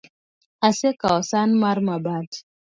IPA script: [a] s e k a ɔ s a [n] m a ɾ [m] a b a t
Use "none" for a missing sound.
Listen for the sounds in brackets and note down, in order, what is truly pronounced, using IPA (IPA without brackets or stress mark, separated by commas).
a, n, m